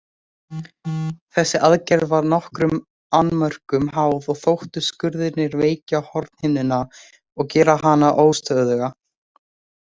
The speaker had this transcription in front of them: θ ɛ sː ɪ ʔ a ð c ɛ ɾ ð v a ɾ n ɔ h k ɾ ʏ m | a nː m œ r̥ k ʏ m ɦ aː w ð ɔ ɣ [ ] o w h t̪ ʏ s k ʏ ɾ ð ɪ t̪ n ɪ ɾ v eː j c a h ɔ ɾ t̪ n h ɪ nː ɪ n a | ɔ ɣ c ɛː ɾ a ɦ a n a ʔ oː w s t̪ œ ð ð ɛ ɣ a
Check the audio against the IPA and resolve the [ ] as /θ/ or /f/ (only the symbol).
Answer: θ